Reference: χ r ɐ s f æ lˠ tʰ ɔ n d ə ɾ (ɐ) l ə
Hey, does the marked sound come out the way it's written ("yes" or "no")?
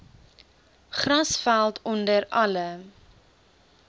yes